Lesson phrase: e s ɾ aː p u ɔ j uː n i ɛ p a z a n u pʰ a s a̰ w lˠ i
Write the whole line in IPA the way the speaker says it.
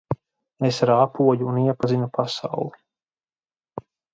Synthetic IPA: e s ɾ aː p u ɔ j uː n i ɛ p a z i n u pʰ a s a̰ w lˠ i